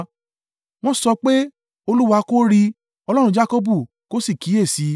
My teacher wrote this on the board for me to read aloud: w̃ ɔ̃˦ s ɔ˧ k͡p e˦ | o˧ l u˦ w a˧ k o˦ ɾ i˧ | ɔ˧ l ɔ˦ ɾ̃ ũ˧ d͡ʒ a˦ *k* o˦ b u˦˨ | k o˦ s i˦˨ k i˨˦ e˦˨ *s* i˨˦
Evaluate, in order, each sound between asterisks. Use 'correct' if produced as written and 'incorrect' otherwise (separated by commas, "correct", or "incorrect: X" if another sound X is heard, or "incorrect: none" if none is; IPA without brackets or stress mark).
correct, correct